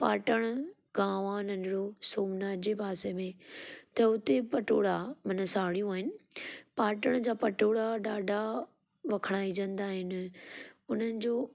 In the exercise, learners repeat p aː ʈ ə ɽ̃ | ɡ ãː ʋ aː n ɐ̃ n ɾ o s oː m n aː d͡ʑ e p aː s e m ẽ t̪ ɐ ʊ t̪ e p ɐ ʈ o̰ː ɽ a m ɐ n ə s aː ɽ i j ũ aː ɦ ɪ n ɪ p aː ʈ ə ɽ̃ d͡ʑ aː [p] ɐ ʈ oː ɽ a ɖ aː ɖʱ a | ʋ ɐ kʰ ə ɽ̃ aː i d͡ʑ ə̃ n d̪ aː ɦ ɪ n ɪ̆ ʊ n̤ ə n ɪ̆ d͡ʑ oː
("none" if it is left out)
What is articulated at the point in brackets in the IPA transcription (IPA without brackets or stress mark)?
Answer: p